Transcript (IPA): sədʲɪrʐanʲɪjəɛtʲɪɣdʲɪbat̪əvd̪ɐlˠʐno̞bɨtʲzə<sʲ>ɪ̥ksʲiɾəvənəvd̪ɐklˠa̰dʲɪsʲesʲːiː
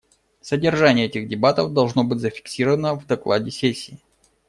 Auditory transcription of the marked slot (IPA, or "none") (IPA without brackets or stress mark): fʲ